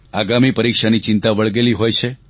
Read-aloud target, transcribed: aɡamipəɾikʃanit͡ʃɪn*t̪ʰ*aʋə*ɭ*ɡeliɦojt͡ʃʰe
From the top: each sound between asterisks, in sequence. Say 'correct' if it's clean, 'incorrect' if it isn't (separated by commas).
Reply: incorrect, correct